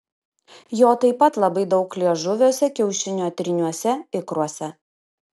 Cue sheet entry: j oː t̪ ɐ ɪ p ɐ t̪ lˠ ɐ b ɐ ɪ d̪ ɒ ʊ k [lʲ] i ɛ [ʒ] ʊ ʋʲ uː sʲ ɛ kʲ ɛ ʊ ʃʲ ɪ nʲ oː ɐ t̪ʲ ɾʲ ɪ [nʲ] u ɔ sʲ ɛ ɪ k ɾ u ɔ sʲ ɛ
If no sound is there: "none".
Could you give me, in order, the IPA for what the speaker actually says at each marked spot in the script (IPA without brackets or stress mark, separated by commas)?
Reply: lʲ, ʒ, nʲ